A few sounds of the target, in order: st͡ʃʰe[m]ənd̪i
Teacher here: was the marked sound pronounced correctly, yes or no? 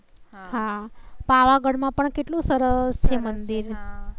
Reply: yes